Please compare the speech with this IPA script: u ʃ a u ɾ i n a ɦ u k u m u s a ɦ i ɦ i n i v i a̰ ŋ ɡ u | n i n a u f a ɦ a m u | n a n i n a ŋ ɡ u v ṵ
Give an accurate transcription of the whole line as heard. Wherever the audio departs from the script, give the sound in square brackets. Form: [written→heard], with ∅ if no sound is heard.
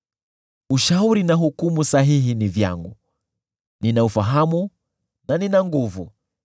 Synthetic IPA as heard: u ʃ a u ɾ i n a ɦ u k u m u s a ɦ i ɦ i n i v [i→j] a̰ ŋ ɡ u | n i n a u f a ɦ a m u | n a n i n a ŋ ɡ u v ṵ